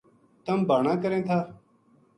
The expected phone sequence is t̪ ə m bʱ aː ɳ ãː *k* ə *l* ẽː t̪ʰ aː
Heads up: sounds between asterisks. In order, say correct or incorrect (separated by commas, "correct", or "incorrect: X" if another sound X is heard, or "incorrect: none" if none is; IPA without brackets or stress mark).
correct, incorrect: ɾ